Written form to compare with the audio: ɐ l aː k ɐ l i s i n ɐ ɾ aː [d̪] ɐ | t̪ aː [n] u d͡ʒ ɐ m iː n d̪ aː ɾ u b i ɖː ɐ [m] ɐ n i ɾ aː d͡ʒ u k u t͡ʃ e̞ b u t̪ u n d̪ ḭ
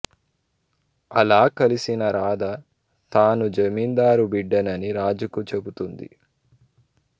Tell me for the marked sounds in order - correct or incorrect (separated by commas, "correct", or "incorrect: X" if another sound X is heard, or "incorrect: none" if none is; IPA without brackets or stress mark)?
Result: correct, correct, incorrect: n